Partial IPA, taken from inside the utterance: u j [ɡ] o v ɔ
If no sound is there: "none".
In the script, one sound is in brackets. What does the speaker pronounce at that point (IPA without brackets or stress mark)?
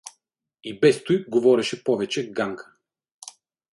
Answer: ɡ